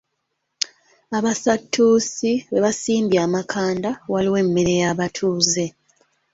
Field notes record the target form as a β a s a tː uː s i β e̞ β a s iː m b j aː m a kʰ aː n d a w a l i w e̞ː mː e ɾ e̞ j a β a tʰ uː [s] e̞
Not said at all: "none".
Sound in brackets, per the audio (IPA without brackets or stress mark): z